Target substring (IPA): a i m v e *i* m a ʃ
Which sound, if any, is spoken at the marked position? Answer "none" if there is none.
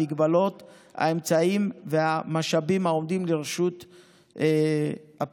a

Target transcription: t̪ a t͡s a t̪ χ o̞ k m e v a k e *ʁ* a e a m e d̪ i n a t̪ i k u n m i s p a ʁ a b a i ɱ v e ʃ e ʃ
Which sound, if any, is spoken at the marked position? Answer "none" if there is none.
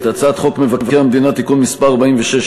v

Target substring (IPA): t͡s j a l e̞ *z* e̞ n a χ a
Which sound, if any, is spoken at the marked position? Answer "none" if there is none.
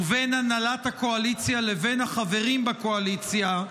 v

